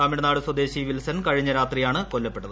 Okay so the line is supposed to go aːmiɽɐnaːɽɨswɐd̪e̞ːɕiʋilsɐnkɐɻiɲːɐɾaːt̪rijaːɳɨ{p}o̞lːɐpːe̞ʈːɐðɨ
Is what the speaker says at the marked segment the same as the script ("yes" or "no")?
no